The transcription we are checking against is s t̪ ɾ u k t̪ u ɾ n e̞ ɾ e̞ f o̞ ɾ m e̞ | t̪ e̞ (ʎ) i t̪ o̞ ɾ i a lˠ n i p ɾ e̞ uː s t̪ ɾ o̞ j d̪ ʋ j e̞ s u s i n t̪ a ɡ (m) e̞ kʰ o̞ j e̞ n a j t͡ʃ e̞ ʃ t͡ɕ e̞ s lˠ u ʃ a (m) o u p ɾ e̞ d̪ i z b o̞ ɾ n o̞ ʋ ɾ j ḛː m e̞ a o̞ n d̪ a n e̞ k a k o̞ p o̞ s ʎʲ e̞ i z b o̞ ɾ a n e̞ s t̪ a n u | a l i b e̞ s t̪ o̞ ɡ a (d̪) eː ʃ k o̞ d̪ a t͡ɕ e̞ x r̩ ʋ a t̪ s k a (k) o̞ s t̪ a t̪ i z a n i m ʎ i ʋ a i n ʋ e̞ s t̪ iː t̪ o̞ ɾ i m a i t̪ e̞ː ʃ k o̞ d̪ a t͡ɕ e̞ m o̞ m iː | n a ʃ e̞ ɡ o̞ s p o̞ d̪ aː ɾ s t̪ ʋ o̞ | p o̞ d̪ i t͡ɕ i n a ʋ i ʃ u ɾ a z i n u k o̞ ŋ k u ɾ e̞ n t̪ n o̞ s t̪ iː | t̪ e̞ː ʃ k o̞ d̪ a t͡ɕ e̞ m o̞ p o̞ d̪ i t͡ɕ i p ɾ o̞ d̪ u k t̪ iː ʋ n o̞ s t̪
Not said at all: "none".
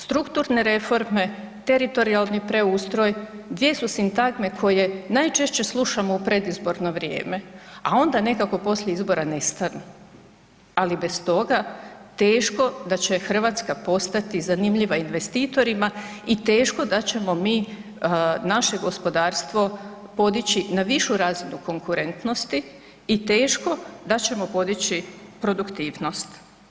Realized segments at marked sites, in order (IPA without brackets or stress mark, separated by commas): ɾ, m, m, t̪, p